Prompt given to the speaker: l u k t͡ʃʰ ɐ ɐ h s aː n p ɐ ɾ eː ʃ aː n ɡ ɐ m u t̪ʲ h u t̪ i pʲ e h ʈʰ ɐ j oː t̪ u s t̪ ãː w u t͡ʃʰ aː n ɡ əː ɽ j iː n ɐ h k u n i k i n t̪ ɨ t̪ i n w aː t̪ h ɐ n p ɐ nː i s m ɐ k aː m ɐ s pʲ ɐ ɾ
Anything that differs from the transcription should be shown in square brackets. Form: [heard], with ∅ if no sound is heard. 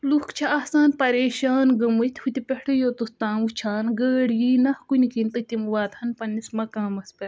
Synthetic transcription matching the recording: l u k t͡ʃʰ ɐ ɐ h s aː n p ɐ ɾ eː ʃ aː n ɡ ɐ m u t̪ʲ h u t̪ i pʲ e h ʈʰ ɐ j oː t̪ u s t̪ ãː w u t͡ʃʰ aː n ɡ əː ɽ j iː n ɐ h k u n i k i n t̪ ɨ t̪ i [m] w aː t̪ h ɐ n p ɐ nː i s m ɐ k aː m ɐ s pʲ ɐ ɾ